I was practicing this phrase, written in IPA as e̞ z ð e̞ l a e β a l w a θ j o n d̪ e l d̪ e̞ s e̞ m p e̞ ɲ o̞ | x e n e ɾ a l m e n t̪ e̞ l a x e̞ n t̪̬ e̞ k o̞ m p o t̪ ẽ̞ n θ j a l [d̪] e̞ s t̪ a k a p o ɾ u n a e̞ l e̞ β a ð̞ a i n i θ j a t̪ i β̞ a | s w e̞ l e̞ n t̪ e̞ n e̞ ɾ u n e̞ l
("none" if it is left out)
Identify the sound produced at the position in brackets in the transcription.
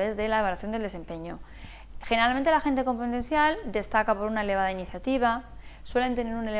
d̪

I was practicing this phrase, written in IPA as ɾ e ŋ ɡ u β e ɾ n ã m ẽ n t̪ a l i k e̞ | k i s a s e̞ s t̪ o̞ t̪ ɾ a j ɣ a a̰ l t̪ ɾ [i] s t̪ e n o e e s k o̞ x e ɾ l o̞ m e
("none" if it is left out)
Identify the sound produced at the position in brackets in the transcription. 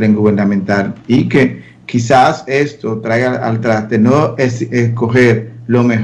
a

